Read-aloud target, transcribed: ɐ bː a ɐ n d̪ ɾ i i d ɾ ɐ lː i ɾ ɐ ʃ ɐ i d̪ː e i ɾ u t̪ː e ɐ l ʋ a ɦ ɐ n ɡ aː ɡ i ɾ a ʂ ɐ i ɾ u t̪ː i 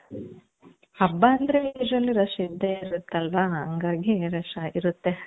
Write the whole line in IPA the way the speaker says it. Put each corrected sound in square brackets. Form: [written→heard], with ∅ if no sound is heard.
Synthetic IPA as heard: ɐ bː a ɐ n d̪ ɾ [i→e] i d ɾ ɐ lː i ɾ ɐ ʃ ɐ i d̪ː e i ɾ u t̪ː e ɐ l ʋ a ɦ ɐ [n→ŋ] ɡ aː ɡ i ɾ [a→ɐ] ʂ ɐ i ɾ u t̪ː [i→e]